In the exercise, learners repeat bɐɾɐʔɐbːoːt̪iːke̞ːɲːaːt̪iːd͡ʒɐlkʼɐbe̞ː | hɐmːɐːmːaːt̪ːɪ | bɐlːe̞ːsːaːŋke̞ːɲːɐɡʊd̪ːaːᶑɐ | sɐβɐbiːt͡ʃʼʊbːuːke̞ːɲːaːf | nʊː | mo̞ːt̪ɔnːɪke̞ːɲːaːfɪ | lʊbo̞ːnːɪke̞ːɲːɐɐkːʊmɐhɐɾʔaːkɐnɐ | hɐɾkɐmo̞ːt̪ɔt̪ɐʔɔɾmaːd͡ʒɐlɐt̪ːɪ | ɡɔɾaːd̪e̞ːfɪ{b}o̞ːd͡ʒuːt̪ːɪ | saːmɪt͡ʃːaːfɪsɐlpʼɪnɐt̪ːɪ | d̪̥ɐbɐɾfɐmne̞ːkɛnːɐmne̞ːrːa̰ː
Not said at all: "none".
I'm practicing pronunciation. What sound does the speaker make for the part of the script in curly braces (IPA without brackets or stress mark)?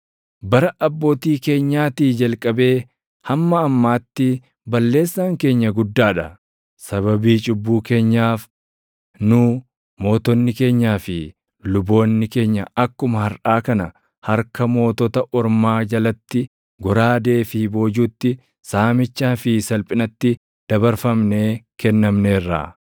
b